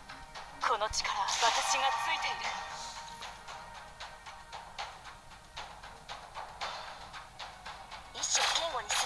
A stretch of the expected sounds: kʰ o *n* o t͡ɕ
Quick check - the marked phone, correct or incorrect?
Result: correct